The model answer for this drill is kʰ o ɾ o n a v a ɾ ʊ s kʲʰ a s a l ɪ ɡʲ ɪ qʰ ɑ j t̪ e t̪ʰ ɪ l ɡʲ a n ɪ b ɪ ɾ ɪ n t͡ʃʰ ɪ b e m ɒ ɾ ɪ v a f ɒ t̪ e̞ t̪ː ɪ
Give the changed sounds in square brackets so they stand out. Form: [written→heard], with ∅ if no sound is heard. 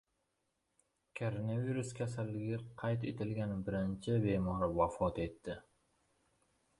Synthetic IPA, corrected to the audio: kʰ o ɾ o n a v [a→i] ɾ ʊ s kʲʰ a s a [l→lː] ɪ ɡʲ ɪ qʰ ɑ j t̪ e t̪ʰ ɪ l ɡʲ a n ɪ b ɪ ɾ ɪ n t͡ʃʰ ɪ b e m ɒ ɾ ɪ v a f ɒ t̪ e̞ t̪ː ɪ